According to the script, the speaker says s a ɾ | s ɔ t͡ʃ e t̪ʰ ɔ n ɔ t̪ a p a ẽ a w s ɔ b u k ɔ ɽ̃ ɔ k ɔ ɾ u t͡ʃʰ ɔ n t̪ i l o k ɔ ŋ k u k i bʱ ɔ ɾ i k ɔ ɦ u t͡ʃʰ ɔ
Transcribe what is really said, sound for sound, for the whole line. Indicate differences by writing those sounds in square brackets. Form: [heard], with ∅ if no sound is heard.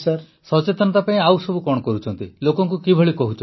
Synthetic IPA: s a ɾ | s ɔ t͡ʃ e [t̪] ɔ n ɔ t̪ a p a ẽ a w s ɔ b u k ɔ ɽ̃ ɔ k ɔ ɾ u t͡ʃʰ ɔ n t̪ i l o k ɔ ŋ k u k i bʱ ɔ [ɭ] i k ɔ ɦ u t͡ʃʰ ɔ